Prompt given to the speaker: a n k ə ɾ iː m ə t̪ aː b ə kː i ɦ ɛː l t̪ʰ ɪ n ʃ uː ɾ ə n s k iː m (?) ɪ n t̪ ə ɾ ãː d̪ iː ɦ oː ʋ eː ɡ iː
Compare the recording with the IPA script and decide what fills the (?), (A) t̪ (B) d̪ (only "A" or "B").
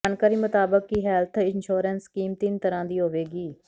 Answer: A